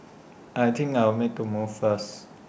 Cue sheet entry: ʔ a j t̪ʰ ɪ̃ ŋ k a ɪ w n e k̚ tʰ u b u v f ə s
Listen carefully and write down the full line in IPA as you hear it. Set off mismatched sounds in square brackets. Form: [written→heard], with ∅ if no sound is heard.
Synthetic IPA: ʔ a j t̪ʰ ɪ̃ ŋ k a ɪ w [n→m] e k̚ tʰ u [b→m] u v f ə s